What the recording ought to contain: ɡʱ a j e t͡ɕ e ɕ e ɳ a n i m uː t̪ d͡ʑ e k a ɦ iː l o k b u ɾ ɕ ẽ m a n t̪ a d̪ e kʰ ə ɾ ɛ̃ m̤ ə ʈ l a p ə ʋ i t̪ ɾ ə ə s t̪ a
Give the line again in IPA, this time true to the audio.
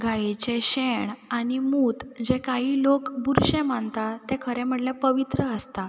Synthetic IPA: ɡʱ a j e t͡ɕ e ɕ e ɳ a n i m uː t̪ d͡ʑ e k a ɦ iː l o k b u ɾ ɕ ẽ m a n t̪ a t̪ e kʰ ə ɾ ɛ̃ m̤ ə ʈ l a p ə ʋ i t̪ ɾ ə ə s t̪ a